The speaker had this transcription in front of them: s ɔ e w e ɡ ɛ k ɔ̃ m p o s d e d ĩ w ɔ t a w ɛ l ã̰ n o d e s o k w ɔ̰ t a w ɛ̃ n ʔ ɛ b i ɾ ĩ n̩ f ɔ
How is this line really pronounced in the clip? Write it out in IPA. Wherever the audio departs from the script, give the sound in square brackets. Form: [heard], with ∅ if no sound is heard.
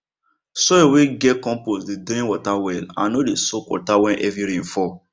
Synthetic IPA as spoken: s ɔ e w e ɡ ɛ k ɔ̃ m p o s d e d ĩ w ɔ t a w ɛ l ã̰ n o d e s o k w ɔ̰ t a w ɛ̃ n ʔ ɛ [v] i ɾ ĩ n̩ f ɔ